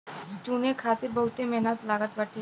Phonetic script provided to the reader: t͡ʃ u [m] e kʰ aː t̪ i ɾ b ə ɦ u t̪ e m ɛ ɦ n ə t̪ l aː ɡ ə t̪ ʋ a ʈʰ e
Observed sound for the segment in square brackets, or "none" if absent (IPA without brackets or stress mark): n